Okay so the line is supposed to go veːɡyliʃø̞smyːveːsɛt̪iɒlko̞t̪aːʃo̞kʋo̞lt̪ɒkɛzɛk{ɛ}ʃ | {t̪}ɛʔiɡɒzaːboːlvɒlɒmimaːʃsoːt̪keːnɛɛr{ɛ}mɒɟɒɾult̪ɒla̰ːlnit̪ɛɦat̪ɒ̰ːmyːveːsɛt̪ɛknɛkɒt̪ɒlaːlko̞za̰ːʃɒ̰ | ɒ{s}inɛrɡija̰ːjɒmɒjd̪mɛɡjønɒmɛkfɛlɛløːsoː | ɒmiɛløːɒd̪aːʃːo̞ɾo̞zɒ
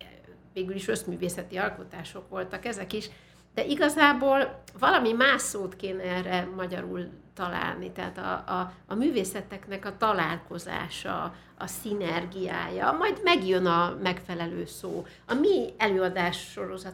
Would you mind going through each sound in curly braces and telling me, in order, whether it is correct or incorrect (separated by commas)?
incorrect, incorrect, correct, correct